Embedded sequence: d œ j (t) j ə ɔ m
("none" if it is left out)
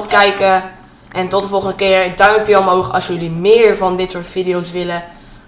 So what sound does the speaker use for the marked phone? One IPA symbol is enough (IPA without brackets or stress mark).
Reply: p